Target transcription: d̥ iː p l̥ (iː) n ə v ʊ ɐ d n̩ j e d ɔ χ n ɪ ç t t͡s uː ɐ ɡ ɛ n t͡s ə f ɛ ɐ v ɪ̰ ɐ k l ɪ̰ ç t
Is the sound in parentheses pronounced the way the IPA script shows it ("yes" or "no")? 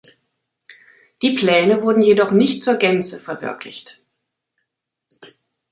no